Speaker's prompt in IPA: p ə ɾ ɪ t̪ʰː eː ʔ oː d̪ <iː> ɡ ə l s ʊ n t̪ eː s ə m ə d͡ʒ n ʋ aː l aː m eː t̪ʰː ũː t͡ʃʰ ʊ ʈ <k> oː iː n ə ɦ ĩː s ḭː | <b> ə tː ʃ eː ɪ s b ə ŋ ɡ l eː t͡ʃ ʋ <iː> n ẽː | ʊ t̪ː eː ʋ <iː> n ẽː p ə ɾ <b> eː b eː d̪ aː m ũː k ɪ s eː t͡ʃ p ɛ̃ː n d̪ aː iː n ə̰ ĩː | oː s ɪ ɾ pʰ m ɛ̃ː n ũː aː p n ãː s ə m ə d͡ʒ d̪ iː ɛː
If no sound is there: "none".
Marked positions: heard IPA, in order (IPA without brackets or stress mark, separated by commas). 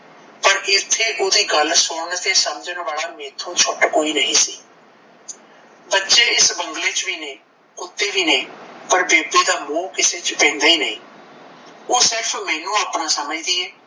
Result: iː, k, b, iː, iː, b